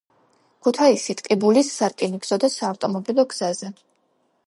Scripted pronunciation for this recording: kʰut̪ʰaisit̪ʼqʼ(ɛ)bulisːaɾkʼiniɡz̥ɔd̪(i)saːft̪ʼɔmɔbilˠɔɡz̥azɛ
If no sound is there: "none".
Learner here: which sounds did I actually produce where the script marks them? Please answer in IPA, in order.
i, a

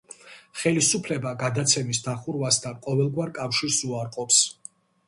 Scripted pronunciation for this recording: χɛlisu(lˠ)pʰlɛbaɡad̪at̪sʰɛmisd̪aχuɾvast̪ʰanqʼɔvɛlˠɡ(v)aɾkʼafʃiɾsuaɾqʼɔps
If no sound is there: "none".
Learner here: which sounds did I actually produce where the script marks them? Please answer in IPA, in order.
none, w

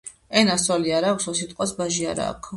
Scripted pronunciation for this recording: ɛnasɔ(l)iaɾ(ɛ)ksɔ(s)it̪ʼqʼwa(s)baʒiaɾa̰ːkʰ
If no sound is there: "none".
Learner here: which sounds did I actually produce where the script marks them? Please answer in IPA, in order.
l, a, s, s

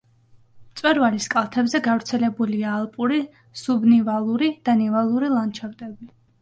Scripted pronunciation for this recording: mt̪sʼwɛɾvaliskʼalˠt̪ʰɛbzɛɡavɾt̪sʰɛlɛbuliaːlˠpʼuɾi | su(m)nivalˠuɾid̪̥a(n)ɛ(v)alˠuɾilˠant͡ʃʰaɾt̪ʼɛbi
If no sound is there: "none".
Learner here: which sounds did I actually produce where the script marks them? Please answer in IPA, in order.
b, n, v

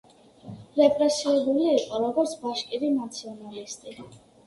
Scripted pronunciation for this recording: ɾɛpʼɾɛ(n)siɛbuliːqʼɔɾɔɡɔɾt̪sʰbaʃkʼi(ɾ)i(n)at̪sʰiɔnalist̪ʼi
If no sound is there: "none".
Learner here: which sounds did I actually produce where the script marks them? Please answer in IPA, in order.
none, ɾ, n

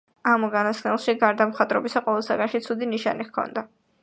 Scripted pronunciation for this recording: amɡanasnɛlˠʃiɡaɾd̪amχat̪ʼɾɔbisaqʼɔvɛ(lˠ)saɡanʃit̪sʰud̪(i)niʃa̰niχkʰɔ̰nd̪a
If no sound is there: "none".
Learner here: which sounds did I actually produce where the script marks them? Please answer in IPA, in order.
lˠ, i

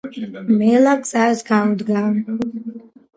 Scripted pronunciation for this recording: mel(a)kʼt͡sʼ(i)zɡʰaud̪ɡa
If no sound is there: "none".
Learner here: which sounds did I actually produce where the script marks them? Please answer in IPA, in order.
a, a

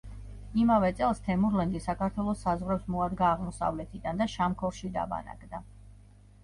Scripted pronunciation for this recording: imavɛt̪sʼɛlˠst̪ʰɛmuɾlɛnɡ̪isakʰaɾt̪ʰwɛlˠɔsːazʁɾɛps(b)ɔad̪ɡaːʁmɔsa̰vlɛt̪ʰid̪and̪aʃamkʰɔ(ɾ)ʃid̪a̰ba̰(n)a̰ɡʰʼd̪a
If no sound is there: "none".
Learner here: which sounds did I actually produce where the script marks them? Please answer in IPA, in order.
m, ɾ, n

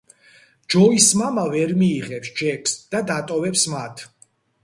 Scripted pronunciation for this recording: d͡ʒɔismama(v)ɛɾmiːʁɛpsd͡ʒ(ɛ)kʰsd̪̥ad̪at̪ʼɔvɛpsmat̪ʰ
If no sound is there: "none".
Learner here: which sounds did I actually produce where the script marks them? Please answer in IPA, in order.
v, ɛ

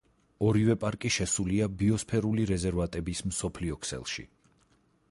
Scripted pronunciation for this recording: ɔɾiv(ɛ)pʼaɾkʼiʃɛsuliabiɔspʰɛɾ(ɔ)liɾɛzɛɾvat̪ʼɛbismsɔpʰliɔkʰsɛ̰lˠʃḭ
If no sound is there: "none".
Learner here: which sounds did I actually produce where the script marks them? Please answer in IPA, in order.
ɛ, u

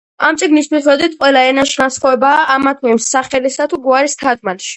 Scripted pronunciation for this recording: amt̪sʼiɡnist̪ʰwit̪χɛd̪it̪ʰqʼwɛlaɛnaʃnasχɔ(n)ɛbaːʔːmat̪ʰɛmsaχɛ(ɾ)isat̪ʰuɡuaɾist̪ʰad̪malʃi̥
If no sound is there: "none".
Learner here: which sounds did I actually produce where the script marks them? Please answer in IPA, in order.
none, l

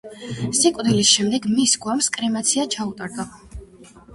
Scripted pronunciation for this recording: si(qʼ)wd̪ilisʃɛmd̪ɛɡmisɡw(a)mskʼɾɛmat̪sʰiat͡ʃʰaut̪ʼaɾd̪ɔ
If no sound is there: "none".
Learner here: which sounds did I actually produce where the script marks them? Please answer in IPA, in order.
kʼ, a

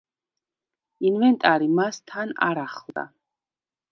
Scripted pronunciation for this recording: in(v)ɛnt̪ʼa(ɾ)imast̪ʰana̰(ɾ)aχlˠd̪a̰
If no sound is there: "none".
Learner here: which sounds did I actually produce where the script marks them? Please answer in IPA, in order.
v, ɾ, ɾ

